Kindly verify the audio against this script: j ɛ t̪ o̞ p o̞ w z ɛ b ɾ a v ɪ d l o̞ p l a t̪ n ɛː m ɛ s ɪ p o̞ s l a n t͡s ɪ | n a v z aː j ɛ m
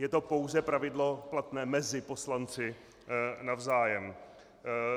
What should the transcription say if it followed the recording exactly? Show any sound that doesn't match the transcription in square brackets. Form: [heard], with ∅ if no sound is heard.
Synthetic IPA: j ɛ t̪ o̞ p o̞ w z ɛ [p] ɾ a v ɪ d l o̞ p l a t̪ n ɛː m ɛ [z] ɪ p o̞ s l a n t͡s ɪ | n a v z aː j ɛ m

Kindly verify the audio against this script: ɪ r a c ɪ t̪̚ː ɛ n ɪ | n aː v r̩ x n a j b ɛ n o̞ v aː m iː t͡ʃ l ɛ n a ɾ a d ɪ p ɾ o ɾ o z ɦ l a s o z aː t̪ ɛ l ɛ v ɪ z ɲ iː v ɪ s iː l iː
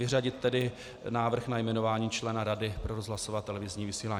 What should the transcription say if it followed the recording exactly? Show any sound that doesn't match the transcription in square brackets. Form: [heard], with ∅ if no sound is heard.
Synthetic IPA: ɪ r a [ɟ] ɪ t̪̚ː ɛ [d] ɪ | n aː v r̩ x n a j [m] ɛ n o̞ v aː [ɲ] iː t͡ʃ l ɛ n a ɾ a d ɪ p ɾ o ɾ o z ɦ l a s o [v] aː t̪ ɛ l ɛ v ɪ z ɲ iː v ɪ s iː l [aː]

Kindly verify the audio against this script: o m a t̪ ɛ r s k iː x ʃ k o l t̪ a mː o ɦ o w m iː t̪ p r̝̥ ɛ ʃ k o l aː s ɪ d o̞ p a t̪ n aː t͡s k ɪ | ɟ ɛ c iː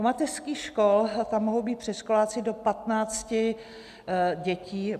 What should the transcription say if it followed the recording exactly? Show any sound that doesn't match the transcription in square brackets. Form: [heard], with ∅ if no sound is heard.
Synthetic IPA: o m a t̪ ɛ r s k iː x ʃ k o l t̪ a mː o ɦ o w [b] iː t̪ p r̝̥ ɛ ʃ k o l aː [t͡s] ɪ d o̞ p a t̪ n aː t͡s [c] ɪ | ɟ ɛ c iː

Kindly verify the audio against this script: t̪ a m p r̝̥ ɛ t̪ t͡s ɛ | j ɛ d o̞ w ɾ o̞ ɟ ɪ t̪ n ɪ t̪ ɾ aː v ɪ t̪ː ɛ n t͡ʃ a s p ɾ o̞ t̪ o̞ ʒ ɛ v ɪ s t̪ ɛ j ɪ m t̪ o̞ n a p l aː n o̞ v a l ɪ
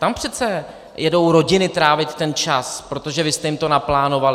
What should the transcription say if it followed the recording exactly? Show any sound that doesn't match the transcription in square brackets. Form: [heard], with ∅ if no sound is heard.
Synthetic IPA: t̪ a m p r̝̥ ɛ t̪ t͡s ɛ | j ɛ d o̞ w ɾ o̞ ɟ ɪ [∅] n ɪ t̪ ɾ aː v ɪ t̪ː ɛ n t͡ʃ a s p ɾ o̞ t̪ o̞ ʒ ɛ v ɪ s t̪ ɛ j ɪ m t̪ o̞ n a p l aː n o̞ v a l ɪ

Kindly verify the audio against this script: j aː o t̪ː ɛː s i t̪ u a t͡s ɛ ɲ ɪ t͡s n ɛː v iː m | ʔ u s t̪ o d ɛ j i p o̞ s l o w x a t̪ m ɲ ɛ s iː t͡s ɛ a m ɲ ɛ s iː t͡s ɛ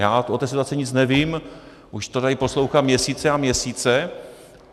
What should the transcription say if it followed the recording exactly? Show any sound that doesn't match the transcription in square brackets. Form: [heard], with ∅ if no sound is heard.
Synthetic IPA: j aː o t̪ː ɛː s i t̪ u a t͡s ɛ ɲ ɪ t͡s n [ɛ] v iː m | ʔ u [ʃ] t̪ o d [a] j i p o̞ s l o w x a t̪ m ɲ ɛ s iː t͡s ɛ a m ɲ ɛ s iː t͡s ɛ

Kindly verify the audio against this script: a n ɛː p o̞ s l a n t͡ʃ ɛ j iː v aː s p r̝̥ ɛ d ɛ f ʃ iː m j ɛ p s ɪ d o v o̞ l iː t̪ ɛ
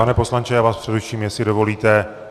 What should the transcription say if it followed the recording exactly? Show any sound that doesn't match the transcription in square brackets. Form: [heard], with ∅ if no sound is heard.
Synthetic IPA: a n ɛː p o̞ s l a n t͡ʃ ɛ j [aː] v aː s p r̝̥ ɛ d ɛ f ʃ iː m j ɛ [∅] s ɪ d o v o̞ l iː t̪ ɛ

